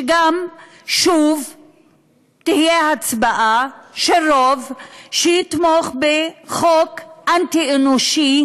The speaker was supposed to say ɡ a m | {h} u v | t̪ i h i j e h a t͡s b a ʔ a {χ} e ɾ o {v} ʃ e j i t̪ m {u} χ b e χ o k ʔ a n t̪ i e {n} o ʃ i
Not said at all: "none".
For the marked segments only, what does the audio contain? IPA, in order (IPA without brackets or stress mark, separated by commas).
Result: ʃ, ʃ, v, o, n